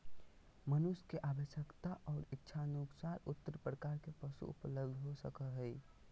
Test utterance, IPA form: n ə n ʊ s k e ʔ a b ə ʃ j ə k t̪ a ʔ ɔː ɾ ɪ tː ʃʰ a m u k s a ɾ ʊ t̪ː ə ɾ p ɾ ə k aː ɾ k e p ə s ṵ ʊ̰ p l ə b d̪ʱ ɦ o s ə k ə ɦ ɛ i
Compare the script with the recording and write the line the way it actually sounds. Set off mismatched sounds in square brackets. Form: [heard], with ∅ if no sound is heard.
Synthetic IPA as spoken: [m] ə n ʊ s k e ʔ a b ə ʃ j ə k t̪ a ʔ ɔː ɾ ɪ tː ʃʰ a [n] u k s a ɾ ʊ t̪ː ə ɾ p ɾ ə k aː ɾ k e p ə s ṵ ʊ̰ p l ə b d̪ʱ ɦ o s ə k ə ɦ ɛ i